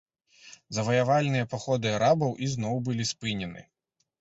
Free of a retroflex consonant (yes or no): yes